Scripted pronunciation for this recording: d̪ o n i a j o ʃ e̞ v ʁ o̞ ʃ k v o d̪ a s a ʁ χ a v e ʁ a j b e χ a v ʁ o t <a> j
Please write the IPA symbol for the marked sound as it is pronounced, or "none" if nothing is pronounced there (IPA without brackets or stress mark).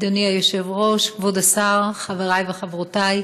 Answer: a